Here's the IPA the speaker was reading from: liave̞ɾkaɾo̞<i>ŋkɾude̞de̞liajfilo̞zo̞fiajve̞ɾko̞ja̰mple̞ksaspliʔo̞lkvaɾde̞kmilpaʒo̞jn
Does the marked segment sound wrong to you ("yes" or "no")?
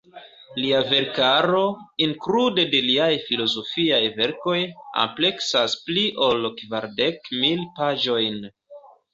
no